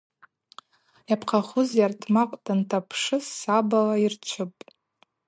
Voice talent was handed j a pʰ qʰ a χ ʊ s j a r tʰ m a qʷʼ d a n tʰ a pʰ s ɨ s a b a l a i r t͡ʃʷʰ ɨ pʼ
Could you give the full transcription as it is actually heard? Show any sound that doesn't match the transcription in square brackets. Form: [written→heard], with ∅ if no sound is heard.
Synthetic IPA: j a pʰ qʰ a χ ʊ [s→z] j a r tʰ m a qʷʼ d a n tʰ a pʰ [s→ʂ] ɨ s a b a l a i r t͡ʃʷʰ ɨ pʼ